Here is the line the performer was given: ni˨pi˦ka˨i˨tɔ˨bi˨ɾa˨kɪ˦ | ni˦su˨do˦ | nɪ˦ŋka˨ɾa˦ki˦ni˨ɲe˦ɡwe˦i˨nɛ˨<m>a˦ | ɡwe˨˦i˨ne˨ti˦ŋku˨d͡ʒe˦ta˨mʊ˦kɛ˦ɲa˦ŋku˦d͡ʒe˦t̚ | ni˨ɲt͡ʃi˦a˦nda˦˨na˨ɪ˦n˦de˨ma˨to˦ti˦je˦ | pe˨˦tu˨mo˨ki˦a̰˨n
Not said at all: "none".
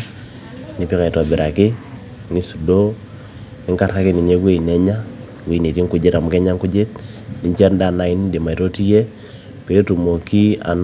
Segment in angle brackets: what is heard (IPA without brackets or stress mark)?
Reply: ɲ